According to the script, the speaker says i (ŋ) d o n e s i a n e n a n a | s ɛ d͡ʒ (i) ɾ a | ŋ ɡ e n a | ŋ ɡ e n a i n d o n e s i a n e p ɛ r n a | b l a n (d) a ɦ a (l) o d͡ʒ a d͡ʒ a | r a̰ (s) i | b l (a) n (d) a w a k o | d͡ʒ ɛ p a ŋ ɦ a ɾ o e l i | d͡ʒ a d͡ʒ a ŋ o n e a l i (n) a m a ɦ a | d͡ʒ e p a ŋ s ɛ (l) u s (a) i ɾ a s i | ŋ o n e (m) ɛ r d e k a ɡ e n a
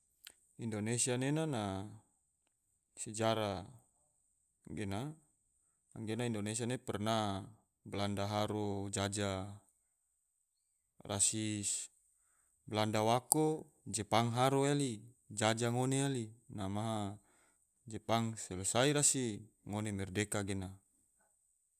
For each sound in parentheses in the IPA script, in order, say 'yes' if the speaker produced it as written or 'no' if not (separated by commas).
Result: no, no, yes, no, yes, yes, yes, yes, yes, yes, yes